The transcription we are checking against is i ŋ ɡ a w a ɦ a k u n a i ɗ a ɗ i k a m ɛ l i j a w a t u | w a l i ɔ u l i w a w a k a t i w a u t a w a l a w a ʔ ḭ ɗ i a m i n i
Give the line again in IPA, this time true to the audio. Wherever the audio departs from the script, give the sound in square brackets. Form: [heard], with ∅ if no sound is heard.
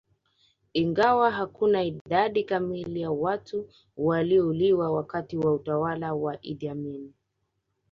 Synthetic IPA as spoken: i ŋ ɡ a w a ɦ a k u n a i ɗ a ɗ i k a m [i] l i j a w a t u | w a l i ɔ u l i w a w a k a t i w a u t a w a l a w a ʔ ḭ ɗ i a m i n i